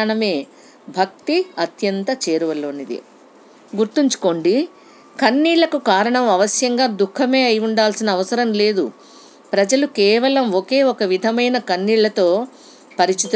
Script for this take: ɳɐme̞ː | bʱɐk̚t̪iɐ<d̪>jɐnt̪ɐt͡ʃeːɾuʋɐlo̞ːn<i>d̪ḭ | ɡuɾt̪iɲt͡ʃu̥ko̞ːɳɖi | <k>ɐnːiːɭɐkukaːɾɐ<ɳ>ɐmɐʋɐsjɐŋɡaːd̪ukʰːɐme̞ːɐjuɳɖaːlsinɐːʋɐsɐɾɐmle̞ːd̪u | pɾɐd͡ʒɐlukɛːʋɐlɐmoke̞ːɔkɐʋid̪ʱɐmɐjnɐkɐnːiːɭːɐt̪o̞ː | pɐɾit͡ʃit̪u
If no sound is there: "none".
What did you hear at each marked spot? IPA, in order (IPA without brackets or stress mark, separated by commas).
t̪, i, k, ɳ